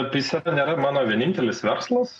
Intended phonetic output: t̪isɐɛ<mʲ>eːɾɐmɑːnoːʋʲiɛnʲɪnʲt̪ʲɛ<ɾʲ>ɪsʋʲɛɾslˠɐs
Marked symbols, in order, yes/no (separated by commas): no, no